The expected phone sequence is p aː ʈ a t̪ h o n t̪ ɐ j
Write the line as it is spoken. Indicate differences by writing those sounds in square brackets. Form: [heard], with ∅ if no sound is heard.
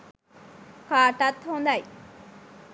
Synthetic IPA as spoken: [k] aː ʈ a t̪ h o n [d̪] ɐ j